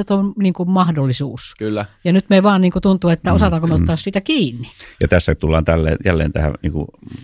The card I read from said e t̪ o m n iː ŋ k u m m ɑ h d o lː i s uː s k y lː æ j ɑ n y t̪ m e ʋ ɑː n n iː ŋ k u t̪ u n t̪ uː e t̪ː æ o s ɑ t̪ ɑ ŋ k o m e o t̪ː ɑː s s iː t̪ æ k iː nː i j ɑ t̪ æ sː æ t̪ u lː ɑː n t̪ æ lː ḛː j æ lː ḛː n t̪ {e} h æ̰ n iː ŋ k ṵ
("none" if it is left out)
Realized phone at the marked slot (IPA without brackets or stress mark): æ